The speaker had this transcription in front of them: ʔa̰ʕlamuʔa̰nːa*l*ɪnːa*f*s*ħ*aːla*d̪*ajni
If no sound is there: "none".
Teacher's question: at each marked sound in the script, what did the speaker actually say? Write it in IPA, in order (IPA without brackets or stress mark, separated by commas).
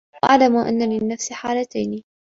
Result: l, f, ħ, t̪